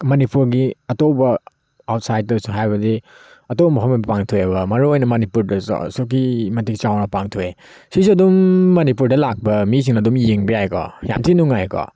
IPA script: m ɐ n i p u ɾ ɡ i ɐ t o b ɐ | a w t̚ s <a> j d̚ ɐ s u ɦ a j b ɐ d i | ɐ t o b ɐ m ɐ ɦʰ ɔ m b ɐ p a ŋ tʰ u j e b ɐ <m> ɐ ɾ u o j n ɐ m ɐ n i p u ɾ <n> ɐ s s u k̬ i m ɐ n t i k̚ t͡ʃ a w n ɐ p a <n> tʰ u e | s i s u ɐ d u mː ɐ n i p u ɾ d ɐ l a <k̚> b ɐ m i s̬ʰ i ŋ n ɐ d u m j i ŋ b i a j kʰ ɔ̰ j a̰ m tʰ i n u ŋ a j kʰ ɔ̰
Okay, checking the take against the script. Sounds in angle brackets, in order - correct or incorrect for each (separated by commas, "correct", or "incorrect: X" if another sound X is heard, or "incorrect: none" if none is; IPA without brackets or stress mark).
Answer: correct, correct, incorrect: d, incorrect: ŋ, correct